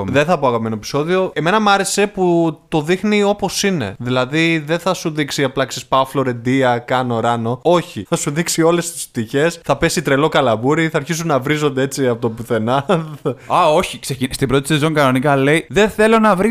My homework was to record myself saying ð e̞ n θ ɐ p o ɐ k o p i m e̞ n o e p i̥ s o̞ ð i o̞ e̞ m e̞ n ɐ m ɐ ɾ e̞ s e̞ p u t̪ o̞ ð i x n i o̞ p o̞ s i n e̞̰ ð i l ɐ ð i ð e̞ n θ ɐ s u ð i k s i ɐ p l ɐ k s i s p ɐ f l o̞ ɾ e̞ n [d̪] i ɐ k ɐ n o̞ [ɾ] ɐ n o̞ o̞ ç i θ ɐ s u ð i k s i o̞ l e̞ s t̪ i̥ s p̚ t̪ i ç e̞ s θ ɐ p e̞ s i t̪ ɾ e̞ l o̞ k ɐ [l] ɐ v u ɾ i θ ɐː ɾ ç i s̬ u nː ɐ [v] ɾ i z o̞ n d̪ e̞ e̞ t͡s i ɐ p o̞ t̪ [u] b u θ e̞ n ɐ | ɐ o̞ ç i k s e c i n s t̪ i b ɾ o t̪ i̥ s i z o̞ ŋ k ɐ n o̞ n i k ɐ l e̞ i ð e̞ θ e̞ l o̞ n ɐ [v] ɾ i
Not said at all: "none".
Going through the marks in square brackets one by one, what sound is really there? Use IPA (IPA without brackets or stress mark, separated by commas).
d̪, ɾ, l, v, o, v